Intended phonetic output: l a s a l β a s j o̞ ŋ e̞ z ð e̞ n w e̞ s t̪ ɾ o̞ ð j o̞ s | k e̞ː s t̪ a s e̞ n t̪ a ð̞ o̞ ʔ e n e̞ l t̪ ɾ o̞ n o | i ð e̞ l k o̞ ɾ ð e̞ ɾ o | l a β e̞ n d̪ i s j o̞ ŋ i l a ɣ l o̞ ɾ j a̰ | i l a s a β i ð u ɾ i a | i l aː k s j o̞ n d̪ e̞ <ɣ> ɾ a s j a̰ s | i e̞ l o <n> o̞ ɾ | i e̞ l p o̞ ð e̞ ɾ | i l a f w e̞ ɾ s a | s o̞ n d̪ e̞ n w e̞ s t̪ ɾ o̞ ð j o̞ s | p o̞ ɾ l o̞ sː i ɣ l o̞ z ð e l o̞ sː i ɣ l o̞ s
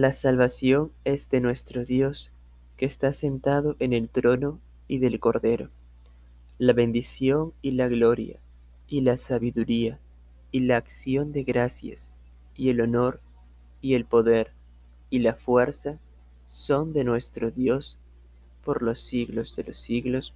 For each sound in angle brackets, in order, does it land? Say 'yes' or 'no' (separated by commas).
yes, yes